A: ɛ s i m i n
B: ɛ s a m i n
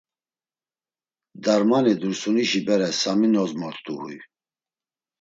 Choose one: B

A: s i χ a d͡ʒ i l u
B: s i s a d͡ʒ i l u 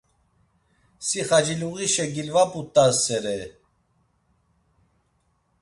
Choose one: A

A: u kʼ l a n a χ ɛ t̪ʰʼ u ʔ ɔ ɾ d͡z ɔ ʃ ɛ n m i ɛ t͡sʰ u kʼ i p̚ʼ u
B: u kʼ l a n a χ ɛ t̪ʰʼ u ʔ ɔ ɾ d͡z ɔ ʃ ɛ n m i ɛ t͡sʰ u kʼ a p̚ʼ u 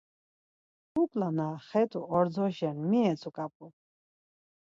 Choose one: B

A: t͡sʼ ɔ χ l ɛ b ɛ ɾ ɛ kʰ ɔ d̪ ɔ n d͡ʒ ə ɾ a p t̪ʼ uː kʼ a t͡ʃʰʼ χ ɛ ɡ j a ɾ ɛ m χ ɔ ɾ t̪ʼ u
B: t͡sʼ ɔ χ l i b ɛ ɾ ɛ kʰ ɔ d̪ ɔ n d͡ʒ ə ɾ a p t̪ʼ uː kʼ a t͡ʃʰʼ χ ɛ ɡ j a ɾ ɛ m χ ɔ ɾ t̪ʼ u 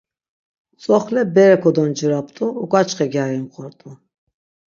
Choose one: A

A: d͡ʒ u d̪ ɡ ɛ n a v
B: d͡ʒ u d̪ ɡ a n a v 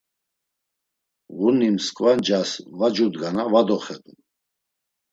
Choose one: B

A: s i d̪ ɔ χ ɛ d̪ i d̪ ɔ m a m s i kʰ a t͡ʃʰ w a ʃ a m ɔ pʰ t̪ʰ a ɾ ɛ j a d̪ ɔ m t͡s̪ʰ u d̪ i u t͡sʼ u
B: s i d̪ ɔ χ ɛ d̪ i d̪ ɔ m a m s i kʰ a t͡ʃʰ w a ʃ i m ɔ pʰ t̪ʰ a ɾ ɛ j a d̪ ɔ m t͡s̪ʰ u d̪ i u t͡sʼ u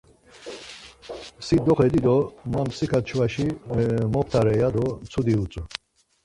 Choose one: B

